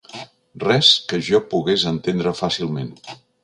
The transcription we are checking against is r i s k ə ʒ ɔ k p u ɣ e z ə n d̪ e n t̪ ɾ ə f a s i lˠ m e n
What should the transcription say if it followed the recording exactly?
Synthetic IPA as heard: r ɛ s k ə ʒ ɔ p u ɣ e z ə n t̪ e n d̪ ɾ ə f a s i lˠ m e n